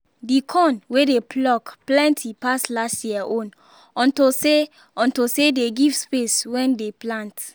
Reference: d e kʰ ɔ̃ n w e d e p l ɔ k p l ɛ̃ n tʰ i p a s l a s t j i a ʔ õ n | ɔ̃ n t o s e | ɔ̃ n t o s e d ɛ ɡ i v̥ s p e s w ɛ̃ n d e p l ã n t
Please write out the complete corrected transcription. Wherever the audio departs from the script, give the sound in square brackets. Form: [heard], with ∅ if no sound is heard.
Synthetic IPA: d [i] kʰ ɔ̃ n w e d e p l ɔ k p l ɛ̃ n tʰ i p a s l a s t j i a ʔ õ n | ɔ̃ n t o s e | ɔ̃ n t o s e d [e] ɡ i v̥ s p e s w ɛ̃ n d e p l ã n t